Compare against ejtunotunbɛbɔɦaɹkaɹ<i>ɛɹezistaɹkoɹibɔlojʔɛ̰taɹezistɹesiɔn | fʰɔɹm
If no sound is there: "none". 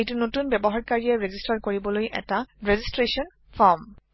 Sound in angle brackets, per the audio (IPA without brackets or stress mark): i